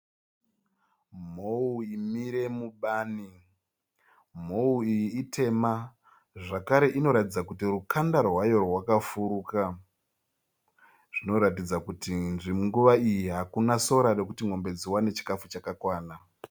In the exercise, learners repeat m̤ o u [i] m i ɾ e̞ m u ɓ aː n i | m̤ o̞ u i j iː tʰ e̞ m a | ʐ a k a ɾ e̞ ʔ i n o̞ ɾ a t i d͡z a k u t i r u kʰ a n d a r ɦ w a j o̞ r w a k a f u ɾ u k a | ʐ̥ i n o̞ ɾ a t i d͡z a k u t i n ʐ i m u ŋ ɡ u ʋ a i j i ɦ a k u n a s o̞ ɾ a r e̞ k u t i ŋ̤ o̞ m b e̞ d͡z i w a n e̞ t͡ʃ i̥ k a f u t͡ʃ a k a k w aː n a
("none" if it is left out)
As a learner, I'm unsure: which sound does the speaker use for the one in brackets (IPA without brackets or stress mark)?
i